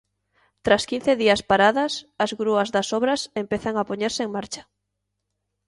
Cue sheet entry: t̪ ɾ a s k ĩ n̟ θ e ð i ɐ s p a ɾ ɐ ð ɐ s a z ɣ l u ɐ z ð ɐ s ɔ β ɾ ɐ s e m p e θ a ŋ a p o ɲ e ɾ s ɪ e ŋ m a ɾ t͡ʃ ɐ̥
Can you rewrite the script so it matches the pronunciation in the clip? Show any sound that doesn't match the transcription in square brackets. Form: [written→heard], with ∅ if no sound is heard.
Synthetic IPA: t̪ ɾ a s k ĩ n̟ θ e ð i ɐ s p a ɾ [ɐ→a] ð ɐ s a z ɣ [l→ɾ] u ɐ z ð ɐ s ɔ β ɾ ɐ s e m p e θ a ŋ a p o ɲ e ɾ s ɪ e ŋ m a ɾ t͡ʃ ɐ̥